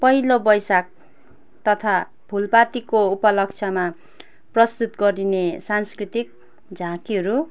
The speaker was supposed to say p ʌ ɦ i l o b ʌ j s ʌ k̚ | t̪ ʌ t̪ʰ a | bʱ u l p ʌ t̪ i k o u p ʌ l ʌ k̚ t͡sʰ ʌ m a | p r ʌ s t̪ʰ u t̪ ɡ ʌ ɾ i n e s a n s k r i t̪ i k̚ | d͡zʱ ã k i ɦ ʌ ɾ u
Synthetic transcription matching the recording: p ʌ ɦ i l o b ʌ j s a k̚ | t̪ ʌ t̪ʰ a | bʱ u l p a t̪ i k o u p ʌ l ʌ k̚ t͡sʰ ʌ m a | p r ʌ s t̪ u t̪ ɡ ʌ ɾ i n e s a n s k r i t̪ i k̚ | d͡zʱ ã k i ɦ ʌ ɾ u